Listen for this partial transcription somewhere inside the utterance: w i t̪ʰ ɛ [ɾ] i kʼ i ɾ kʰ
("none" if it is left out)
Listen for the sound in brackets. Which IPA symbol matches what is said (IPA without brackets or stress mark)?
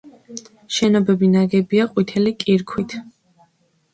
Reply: l